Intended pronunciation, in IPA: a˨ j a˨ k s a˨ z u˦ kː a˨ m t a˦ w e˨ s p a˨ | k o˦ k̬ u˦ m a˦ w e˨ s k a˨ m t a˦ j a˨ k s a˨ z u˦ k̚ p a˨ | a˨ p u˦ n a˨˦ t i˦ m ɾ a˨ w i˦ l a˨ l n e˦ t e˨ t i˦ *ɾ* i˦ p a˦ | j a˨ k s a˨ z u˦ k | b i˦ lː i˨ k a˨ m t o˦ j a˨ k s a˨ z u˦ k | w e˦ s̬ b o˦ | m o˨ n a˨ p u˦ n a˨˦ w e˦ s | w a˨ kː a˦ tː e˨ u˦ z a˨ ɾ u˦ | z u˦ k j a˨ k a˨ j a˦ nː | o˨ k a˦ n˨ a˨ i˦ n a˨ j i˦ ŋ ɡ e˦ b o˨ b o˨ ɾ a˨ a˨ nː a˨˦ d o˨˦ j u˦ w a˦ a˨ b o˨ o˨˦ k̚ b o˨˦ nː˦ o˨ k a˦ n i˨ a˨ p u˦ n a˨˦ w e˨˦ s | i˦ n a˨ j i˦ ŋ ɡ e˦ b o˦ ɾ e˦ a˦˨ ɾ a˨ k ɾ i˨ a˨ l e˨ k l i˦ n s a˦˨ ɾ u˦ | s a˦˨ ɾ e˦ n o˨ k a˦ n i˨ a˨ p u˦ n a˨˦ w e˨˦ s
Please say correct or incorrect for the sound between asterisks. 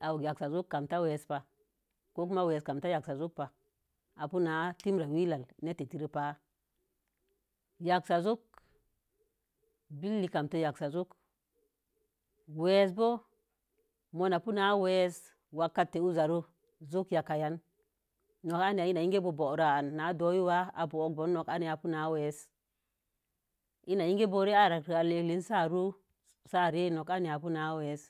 correct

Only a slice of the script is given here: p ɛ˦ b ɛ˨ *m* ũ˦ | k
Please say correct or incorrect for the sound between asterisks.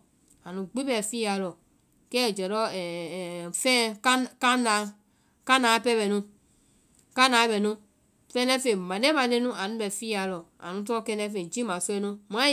incorrect: n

